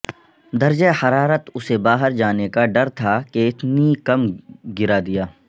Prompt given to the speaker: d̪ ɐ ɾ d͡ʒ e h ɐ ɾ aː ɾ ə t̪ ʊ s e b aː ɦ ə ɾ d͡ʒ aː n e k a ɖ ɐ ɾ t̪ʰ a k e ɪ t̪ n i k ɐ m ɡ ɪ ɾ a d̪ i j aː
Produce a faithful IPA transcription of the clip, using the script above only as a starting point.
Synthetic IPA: d̪ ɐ ɾ d͡ʒ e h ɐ ɾ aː ɾ ə t̪ ʊ s e b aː ɦ ə ɾ d͡ʒ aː n e k a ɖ ɐ ɾ t̪ʰ a k e ɪ t̪ n i k ɐ m ɡ ɪ ɾ a d̪ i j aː